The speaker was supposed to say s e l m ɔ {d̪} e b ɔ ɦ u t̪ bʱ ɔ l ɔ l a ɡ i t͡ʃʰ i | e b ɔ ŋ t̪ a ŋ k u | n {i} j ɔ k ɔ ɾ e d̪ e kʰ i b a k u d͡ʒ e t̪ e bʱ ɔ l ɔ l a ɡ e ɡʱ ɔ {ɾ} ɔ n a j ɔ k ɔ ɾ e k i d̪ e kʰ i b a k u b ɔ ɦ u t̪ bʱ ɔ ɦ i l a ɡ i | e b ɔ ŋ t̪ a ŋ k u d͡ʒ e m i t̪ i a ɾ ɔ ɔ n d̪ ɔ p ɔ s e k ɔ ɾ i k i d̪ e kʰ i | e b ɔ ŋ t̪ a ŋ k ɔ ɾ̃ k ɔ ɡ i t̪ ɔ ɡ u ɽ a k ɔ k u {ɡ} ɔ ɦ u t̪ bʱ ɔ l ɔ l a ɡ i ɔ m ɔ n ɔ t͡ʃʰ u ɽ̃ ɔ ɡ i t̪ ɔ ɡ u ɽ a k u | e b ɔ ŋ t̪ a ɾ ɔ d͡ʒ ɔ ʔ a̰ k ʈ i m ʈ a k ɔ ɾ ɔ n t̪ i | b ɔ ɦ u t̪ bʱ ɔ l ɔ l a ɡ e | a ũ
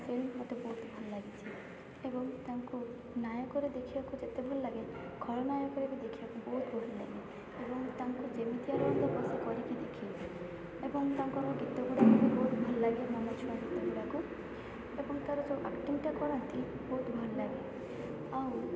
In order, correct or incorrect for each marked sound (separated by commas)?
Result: incorrect, incorrect, incorrect, incorrect